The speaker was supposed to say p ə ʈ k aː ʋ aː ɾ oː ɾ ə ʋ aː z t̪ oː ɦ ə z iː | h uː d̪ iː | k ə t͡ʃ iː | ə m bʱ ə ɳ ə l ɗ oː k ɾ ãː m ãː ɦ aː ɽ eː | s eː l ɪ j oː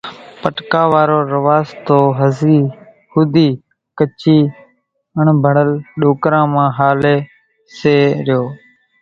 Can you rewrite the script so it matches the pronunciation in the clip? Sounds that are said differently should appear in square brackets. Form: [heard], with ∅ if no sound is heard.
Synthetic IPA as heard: p ə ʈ k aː ʋ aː ɾ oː ɾ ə ʋ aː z t̪ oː ɦ ə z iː | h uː d̪ iː | k ə t͡ʃ iː | ə [ɳ] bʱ ə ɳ ə l ɗ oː k ɾ ãː m ãː ɦ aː [l] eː | s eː [ɾ] ɪ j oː